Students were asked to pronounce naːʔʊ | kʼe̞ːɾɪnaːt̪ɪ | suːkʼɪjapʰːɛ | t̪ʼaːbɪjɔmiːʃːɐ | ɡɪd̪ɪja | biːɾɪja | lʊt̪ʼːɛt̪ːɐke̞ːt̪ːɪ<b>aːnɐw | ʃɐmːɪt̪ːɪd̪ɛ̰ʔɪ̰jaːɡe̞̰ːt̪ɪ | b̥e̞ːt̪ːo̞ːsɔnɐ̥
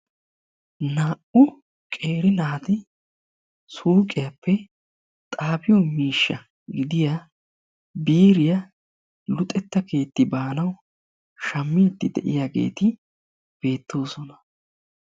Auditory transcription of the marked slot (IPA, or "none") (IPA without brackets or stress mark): b